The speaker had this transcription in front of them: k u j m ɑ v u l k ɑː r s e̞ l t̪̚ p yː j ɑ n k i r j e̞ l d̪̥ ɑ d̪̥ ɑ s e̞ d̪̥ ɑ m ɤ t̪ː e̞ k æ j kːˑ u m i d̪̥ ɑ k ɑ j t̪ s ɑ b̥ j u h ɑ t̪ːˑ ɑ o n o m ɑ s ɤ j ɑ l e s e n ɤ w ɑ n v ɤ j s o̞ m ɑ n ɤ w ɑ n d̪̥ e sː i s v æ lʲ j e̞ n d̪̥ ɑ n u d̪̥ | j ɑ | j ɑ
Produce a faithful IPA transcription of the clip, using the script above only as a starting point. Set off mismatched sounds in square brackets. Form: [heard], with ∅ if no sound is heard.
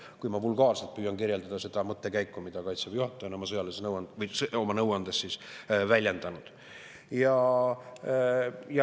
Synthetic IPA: k u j m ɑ v u l [ɡ] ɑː r s e̞ l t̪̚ p yː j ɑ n k i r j e̞ l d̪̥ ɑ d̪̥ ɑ s e̞ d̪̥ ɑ m ɤ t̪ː e̞ k æ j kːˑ u m i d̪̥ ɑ k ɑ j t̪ s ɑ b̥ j u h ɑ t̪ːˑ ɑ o n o m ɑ s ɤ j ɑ l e s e n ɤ w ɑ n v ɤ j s o̞ m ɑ n ɤ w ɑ n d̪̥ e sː i s v æ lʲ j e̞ n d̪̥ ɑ n u d̪̥ | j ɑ | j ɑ